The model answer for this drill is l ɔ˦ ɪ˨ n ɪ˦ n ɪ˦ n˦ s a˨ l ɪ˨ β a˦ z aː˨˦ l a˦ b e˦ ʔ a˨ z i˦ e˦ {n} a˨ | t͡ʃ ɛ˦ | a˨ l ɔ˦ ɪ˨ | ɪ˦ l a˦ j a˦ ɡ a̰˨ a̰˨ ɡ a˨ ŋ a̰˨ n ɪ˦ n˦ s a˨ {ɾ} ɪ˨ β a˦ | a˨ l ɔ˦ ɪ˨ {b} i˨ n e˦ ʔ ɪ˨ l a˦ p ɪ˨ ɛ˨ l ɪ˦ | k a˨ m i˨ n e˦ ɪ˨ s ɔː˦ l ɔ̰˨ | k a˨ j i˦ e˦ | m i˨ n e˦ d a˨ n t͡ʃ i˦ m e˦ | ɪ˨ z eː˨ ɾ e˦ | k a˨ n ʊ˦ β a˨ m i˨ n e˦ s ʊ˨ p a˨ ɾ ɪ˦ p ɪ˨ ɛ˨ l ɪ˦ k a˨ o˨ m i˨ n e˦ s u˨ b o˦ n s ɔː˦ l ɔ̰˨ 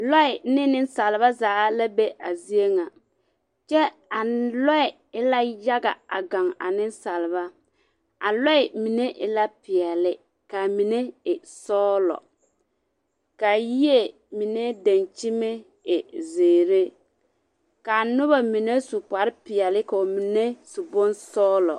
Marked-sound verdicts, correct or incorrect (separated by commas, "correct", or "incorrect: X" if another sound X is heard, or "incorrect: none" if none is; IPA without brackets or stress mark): incorrect: ŋ, incorrect: l, incorrect: m